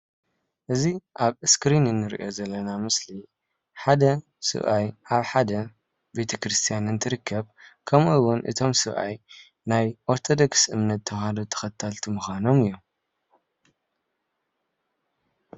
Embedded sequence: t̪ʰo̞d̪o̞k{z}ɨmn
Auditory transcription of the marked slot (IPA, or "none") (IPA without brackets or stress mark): s